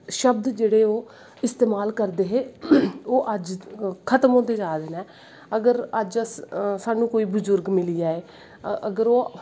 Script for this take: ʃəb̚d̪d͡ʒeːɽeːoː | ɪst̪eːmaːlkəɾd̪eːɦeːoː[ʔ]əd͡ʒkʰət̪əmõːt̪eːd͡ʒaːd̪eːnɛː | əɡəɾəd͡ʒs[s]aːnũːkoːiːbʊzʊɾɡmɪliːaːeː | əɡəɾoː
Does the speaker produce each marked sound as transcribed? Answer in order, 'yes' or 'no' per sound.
yes, yes

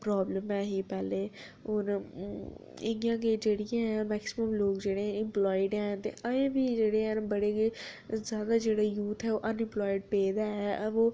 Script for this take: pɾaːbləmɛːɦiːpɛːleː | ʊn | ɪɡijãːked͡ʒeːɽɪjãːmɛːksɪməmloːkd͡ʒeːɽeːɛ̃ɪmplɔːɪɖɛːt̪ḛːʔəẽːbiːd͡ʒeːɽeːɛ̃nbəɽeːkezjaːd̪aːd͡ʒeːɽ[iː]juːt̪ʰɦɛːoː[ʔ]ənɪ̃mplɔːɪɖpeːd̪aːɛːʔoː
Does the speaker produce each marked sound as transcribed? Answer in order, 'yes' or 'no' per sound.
no, yes

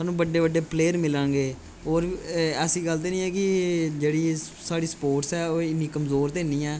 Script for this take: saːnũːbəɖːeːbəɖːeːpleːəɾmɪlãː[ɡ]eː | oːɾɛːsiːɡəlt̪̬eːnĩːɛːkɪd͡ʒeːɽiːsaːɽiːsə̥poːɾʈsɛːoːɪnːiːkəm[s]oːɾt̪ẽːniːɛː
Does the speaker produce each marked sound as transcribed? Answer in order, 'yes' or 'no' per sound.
yes, no

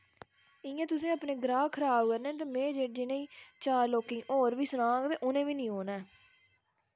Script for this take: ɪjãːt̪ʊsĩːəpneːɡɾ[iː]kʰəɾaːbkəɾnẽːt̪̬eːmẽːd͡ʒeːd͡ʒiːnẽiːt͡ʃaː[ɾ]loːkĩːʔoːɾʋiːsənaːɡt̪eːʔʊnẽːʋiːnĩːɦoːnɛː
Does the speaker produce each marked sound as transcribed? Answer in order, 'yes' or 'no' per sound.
no, yes

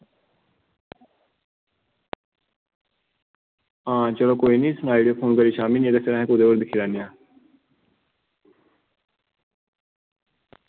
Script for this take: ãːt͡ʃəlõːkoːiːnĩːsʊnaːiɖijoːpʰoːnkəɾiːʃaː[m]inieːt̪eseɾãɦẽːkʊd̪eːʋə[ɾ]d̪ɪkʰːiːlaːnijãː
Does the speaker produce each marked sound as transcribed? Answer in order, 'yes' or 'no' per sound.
yes, yes

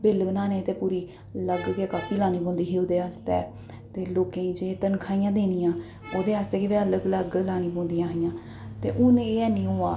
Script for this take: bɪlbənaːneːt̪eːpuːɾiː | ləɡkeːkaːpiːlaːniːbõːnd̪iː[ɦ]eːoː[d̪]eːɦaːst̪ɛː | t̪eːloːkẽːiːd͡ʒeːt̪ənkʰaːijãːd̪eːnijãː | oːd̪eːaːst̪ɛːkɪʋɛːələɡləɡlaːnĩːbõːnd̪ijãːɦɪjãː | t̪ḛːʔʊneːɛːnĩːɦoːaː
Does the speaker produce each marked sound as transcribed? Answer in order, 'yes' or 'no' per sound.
yes, yes

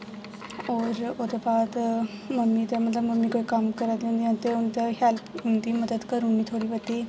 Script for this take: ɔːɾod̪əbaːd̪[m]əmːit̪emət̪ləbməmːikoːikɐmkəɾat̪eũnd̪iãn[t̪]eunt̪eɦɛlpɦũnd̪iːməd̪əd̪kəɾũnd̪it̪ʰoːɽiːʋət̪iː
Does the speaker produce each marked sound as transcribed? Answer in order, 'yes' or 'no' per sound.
yes, yes

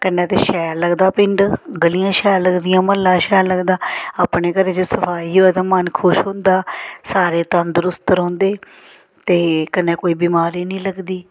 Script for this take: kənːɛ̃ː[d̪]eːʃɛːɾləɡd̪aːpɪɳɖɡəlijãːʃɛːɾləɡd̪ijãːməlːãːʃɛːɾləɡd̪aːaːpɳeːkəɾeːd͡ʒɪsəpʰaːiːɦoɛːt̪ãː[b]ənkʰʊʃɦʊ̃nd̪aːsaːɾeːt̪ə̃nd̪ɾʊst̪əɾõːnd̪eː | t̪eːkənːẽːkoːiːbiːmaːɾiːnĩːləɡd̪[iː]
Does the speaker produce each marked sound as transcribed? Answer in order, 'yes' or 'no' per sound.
no, no, yes

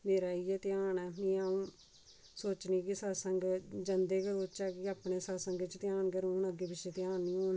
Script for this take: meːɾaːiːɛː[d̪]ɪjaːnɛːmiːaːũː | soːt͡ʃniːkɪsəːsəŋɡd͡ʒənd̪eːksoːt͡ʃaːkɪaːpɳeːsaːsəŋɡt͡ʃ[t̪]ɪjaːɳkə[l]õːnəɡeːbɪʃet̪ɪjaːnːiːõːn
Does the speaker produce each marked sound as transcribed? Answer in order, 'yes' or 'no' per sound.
no, yes, no

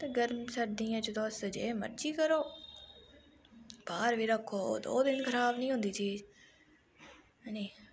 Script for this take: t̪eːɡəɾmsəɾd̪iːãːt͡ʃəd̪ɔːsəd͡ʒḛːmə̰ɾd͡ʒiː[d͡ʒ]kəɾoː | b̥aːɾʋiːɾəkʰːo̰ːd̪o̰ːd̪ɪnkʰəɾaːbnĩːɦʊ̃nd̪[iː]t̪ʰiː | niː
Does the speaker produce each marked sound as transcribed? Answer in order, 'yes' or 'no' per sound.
no, yes

